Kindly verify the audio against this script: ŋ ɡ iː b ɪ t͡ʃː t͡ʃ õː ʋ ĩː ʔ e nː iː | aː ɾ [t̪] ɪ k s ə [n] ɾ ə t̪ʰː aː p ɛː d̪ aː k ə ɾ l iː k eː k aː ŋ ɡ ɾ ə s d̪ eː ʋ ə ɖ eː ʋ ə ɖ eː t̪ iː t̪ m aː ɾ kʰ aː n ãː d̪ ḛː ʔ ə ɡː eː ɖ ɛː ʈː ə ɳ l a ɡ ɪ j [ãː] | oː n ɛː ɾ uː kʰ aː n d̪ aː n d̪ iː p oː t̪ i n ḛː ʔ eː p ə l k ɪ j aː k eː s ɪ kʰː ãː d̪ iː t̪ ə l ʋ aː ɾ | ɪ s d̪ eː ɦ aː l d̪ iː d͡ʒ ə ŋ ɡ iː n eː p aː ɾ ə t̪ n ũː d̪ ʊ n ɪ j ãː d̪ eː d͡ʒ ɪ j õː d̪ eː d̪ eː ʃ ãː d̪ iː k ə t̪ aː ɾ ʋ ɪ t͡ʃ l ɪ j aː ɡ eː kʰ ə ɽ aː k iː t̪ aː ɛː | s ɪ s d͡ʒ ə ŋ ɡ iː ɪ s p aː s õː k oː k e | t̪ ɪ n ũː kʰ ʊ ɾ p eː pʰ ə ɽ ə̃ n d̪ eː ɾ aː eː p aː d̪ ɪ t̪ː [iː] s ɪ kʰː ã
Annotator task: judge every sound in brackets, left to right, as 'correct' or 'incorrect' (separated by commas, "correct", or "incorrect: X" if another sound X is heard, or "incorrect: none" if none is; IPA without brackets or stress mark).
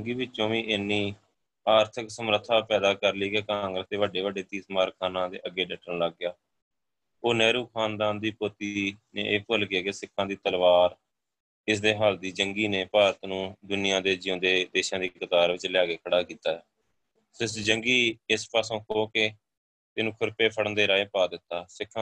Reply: incorrect: t̪ʰ, incorrect: m, incorrect: aː, incorrect: aː